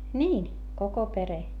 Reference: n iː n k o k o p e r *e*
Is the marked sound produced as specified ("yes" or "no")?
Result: yes